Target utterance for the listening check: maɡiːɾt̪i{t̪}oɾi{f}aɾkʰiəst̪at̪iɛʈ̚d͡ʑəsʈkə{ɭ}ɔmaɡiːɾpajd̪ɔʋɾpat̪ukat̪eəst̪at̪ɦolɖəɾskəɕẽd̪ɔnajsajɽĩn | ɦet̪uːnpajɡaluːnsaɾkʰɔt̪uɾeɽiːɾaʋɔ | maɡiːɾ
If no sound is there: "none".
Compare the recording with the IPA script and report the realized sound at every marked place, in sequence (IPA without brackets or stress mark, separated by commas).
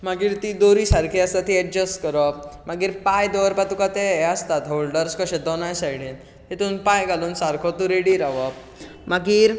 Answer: d̪, s, ɾ